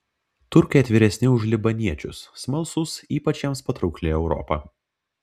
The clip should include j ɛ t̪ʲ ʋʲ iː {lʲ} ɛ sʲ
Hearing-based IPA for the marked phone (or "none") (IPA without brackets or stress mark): ɾʲ